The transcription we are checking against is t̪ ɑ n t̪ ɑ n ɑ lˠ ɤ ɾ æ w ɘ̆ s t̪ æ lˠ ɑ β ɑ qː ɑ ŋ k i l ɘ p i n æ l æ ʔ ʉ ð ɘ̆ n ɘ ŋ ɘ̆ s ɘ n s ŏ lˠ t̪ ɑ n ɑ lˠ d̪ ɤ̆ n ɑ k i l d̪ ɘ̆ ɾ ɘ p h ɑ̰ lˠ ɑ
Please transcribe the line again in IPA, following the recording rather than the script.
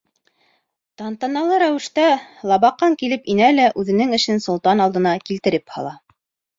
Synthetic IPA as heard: t̪ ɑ n t̪ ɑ n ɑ lˠ ɤ ɾ æ w ɘ̆ ʃ t̪ æ lˠ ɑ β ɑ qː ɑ ŋ k i l ɘ p i n æ l æ ʔ ʉ ð ɘ̆ n ɘ ŋ ɘ̆ ʃ ɘ n s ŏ lˠ t̪ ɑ n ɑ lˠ d̪ ɤ̆ n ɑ k i l t̪ ɘ̆ ɾ ɘ p h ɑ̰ lˠ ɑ

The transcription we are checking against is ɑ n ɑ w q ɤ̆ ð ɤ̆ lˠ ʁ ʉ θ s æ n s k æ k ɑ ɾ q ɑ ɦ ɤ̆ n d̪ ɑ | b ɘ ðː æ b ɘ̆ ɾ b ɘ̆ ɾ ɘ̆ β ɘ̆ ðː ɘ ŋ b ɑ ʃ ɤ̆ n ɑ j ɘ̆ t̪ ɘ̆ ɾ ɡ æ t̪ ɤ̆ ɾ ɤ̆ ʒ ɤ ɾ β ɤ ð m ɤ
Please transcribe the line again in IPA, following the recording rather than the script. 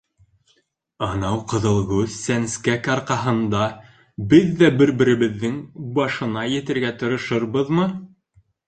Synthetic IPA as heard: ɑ n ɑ w q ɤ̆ ð ɤ̆ lˠ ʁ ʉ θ s æ n s k æ k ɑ ɾ q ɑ ɦ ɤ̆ n d̪ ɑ | b ɘ ðː æ b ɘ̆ ɾ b ɘ̆ ɾ ɘ̆ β ɘ̆ ðː ɘ ŋ b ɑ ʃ ɤ̆ n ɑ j ɘ̆ t̪ ɘ̆ ɾ ɡ æ t̪ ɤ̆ ɾ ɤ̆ ʃ ɤ ɾ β ɤ ð m ɤ

